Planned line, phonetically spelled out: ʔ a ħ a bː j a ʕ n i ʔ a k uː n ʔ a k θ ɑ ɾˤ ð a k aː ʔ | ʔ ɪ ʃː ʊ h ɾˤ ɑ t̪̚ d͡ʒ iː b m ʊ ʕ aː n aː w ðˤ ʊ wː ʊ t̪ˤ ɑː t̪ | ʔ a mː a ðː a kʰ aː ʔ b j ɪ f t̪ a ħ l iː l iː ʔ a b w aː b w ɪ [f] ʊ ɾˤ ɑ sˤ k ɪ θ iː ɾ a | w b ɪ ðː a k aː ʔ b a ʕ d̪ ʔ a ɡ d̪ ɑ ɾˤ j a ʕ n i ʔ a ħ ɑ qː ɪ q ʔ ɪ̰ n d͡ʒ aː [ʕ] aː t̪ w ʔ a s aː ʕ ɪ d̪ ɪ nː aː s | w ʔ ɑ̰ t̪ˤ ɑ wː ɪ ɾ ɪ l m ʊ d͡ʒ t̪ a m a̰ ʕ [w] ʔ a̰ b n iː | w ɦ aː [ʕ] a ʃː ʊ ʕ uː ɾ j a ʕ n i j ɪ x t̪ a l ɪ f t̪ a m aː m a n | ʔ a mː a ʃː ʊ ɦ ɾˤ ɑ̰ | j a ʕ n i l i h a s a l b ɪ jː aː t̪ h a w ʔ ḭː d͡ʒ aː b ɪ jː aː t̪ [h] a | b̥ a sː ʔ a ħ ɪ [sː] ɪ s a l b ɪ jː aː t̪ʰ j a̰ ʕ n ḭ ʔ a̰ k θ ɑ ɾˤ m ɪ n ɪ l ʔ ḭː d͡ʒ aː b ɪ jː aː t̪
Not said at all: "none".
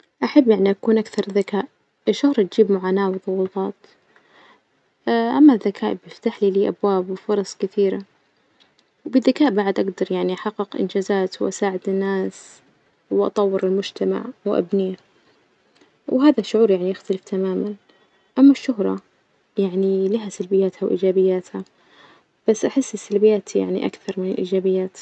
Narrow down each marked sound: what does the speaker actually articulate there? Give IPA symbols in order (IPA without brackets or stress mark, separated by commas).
f, z, w, ð, h, sː